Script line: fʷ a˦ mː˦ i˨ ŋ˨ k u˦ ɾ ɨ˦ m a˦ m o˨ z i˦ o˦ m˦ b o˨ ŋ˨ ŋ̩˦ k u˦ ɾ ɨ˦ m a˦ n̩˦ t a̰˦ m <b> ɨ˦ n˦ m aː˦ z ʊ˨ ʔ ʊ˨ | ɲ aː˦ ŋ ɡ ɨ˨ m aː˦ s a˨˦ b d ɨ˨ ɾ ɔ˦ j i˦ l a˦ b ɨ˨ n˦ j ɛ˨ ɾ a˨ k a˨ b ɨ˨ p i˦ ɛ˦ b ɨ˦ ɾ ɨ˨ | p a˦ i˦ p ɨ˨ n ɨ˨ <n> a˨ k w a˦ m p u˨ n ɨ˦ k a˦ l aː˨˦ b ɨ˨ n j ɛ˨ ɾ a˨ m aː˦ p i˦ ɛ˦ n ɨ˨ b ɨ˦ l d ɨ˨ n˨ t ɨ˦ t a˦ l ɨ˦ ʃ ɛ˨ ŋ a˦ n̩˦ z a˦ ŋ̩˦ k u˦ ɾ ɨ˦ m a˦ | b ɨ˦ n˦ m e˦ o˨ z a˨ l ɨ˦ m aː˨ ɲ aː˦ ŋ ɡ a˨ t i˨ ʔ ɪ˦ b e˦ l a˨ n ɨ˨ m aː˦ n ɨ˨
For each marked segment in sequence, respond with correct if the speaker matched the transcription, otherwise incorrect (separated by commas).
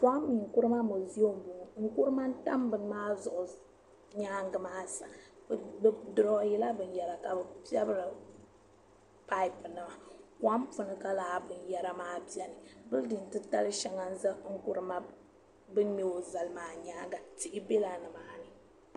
correct, incorrect